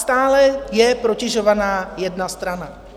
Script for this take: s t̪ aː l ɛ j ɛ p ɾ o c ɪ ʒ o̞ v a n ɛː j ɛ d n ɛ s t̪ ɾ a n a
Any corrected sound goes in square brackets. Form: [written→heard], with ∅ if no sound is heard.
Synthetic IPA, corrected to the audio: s t̪ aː l ɛ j ɛ p ɾ o c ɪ ʒ o̞ v a n [ɛː→aː] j ɛ d n [ɛ→a] s t̪ ɾ a n a